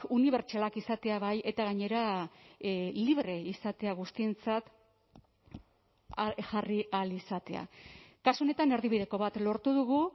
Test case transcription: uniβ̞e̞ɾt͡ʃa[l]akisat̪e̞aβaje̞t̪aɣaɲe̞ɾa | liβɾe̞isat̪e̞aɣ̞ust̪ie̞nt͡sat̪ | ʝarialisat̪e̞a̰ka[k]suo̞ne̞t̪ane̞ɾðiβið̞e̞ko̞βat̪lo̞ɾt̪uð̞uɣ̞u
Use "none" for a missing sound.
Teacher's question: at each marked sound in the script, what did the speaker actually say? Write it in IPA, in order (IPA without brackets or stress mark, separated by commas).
l, none